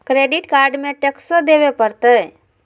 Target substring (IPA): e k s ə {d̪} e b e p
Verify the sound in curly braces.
correct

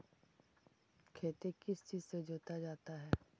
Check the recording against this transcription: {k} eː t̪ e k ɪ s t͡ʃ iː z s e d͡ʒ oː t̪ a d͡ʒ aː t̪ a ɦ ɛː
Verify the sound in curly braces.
incorrect: kʰ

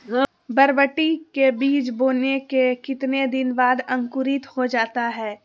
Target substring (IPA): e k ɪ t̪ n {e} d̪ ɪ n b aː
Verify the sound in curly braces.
correct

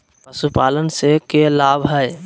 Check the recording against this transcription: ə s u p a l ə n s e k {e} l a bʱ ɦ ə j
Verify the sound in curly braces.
correct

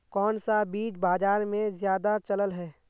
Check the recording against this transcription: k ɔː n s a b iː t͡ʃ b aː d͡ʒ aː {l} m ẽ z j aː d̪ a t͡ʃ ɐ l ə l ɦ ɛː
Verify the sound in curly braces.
incorrect: ɾ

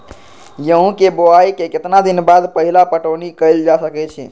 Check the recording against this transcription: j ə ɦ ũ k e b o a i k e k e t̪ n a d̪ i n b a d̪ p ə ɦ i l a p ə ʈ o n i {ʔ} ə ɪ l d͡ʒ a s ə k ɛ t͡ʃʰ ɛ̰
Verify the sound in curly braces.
incorrect: k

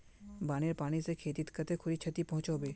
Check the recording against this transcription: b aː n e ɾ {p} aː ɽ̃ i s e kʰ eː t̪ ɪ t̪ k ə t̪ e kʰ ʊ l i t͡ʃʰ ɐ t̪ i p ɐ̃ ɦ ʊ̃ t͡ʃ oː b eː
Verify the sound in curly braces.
correct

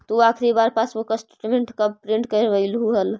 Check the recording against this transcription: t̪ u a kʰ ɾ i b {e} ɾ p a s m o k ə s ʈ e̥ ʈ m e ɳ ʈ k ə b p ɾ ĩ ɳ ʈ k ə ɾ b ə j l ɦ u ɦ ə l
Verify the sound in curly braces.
incorrect: a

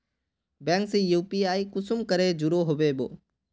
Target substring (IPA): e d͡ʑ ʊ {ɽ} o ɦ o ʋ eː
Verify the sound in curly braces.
incorrect: ɾ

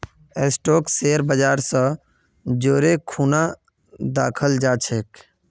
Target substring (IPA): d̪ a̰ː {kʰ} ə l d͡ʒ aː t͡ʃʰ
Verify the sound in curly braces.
correct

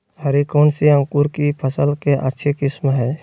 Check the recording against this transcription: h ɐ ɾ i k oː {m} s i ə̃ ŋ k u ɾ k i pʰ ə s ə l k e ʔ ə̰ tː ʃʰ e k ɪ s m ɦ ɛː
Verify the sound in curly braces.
incorrect: n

